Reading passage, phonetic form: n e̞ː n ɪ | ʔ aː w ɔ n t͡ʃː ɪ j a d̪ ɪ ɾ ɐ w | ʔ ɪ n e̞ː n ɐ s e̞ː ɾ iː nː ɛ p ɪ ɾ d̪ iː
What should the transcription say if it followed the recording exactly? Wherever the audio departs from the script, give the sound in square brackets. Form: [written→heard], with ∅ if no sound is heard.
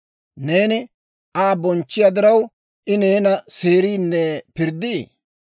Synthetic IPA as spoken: n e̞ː n ɪ | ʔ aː [w→b] ɔ n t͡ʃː ɪ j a d̪ ɪ ɾ ɐ w | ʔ ɪ n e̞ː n ɐ s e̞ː ɾ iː nː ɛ p ɪ ɾ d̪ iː